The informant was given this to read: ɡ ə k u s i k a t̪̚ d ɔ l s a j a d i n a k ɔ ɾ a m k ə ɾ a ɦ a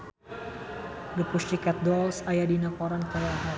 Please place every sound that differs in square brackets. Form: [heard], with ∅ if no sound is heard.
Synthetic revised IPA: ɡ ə [p] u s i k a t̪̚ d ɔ l s a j a d i n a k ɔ ɾ a [n] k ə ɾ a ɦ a